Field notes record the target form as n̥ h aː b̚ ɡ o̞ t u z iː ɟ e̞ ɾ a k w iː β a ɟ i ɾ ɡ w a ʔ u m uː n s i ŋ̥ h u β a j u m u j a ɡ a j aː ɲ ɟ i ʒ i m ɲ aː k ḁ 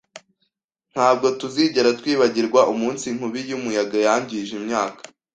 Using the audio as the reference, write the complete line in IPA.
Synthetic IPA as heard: n̥ h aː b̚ ɡ o̞ t u z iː ɟ e̞ ɾ a t w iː β a ɟ i ɾ ɡ w a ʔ u m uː n s i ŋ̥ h u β i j u m u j a ɡ a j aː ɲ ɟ i ʒ i m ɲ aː k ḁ